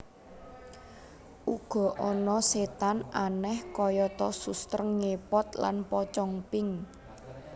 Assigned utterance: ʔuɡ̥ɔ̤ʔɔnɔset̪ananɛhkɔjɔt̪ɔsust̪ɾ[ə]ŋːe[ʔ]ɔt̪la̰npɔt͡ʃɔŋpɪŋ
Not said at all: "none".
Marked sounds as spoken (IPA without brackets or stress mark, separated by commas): ə, p